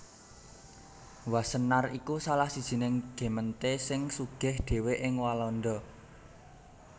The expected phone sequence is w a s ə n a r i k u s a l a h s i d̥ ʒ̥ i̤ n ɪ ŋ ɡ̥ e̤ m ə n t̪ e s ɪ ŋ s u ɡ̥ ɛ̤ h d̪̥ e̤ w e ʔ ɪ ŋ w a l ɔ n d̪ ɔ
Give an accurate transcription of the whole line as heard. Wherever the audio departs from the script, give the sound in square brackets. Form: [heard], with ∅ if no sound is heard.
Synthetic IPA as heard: w a s ə n a r i k u s a l a h s i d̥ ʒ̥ i̤ n ɪ ŋ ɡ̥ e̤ m ə n t̪ e s ɪ ŋ s u ɡ̥ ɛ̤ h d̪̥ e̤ w e ʔ ɪ ŋ w a l ɔ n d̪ ɔ

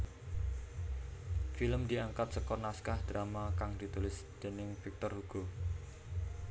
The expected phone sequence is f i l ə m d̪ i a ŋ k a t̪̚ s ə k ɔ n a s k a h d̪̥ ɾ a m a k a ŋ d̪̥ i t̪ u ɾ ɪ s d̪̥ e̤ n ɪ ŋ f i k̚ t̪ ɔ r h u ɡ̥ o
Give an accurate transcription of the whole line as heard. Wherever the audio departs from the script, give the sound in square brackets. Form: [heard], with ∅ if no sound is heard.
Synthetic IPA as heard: f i l ə m d̪ i a ŋ k a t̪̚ s ə k ɔ n a s k a h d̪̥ ɾ a m a k a ŋ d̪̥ i t̪ u [l] ɪ s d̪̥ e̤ n ɪ ŋ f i k̚ t̪ ɔ r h u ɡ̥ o

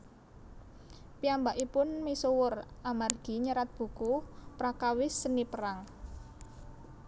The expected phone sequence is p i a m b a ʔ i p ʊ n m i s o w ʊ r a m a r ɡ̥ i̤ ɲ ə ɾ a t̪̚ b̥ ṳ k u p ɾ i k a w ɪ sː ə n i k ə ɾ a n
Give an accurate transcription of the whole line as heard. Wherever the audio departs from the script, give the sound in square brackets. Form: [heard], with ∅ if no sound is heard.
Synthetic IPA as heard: p i a m b a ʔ i p ʊ n m i s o w ʊ r a m a r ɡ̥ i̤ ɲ ə ɾ a t̪̚ b̥ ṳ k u p ɾ [a] k a w ɪ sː ə n i [p] ə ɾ a [ŋ]

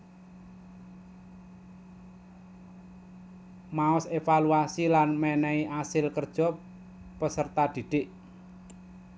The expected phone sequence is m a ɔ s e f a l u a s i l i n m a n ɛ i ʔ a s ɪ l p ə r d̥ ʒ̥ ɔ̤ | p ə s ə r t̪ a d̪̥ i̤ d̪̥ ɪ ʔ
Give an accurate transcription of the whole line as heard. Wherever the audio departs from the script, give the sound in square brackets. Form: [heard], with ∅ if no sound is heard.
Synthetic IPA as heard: m a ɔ s e f a l u a s i l [a] n m [ɛ] n ɛ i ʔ a s ɪ l [k] ə r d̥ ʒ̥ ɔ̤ | p ə s ə r t̪ a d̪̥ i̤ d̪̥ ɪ ʔ

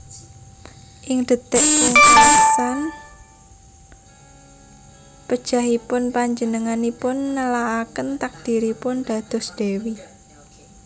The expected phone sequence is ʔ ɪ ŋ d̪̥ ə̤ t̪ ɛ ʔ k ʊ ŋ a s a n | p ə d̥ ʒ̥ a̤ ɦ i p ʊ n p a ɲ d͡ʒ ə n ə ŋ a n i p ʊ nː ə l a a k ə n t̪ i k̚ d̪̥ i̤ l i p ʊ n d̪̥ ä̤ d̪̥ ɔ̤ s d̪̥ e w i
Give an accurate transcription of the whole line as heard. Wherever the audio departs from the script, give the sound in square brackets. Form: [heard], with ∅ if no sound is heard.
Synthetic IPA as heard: ʔ ɪ ŋ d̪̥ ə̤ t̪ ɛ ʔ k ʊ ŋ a s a n | p ə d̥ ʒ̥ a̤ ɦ i p ʊ n p a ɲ d͡ʒ ə n ə ŋ a n i p ʊ nː ə l a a k ə n t̪ [a] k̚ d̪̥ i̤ [ɾ] i p ʊ n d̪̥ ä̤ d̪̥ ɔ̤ s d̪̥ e w i

